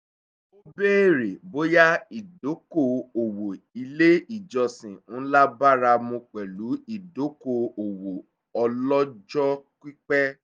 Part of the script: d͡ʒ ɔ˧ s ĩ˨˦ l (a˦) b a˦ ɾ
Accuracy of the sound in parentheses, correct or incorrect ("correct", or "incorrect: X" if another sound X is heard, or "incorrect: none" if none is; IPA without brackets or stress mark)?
correct